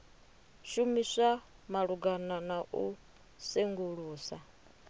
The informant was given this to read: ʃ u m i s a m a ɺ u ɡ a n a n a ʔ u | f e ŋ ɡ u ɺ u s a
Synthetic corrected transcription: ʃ u m i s a m a ɺ u ɡ a n a n a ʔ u | s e ŋ ɡ u ɺ uː s a